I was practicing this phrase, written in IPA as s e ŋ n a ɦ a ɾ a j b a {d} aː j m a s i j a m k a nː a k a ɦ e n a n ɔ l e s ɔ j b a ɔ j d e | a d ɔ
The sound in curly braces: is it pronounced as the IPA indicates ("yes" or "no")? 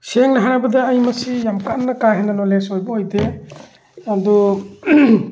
yes